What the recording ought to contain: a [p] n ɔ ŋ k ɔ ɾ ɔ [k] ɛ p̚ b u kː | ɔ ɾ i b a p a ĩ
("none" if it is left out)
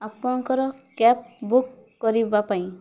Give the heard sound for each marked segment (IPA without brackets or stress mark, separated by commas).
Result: p, k